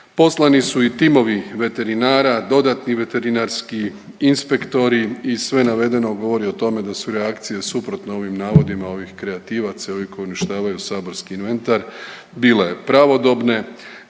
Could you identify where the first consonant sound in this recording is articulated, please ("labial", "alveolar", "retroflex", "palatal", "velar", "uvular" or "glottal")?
labial